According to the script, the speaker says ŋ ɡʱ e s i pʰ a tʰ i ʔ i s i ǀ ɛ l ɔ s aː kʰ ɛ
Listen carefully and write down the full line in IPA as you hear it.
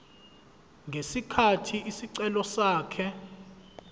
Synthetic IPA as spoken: ŋ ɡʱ e s i kʰ a tʰ i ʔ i s i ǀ ɛ l ɔ s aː kʰ ɛ